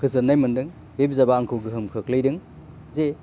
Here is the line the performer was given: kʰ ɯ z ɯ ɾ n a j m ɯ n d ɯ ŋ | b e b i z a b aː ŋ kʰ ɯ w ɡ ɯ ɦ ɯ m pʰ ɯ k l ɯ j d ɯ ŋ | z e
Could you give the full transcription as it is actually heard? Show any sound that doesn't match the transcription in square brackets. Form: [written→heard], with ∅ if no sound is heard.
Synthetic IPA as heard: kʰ ɯ z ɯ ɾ n a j m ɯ n d ɯ ŋ | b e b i z a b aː ŋ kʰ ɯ w ɡ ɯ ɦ ɯ m [pʰ→kʰ] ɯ k l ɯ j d ɯ ŋ | z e